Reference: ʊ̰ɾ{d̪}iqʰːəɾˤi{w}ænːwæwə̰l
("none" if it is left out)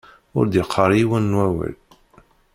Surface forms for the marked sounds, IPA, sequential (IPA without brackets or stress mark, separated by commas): d̪, w